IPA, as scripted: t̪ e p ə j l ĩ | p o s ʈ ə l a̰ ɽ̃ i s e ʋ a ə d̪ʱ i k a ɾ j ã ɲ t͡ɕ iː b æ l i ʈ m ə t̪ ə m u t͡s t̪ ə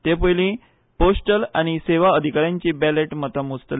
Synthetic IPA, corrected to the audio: t̪ e p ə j l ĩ | p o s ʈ ə l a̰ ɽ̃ i s e ʋ a ə d̪ʱ i k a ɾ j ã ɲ t͡ɕ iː b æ l e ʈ m ə t̪ ə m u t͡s t̪ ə